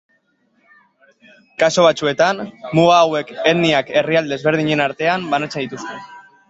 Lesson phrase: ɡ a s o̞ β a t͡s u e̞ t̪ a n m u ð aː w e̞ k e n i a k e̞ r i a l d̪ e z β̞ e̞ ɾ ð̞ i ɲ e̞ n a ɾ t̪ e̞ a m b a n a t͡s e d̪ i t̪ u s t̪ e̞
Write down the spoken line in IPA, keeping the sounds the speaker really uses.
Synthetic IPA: k a s o̞ β a t͡s u e̞ t̪ a n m u ɣ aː w e̞ k e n i a k e̞ r i a l d̪ e z β̞ e̞ ɾ ð̞ i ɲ e̞ n a ɾ t̪ e̞ a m b a n a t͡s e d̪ i t̪ u s t̪ e̞